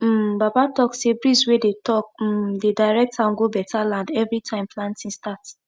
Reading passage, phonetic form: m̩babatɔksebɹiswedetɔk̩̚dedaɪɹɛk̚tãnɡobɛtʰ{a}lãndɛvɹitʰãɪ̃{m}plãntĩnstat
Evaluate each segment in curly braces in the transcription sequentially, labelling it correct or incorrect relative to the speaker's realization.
correct, correct

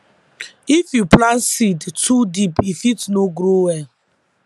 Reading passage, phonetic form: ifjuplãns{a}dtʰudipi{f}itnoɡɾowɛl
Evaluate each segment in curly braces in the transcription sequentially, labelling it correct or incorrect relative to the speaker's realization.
incorrect: i, correct

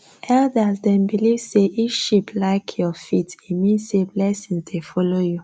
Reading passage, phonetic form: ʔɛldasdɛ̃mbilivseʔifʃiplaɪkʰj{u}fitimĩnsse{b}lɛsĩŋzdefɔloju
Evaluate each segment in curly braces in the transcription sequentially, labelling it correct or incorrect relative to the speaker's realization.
incorrect: ɔ, correct

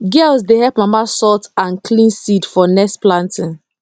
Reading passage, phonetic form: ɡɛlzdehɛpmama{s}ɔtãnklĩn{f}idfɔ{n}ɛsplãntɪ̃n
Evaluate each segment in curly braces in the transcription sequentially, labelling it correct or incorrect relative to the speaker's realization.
correct, incorrect: s, correct

